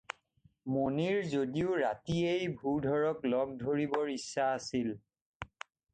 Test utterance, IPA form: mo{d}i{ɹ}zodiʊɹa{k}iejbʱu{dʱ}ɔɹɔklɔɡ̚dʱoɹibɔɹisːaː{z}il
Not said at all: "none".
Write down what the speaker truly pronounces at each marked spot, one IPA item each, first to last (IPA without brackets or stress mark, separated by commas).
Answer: n, ɹ, t, dʱ, s